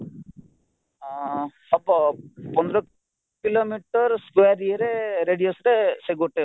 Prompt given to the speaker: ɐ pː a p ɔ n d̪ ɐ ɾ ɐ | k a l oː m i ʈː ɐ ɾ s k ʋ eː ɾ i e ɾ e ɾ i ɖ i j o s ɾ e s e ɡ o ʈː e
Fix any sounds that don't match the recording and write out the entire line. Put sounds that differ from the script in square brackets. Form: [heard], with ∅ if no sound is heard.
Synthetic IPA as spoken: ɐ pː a p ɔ n d̪ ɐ ɾ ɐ | k [i] l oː m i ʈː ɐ ɾ s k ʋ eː ɾ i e ɾ e ɾ [e] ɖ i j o s ɾ e s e ɡ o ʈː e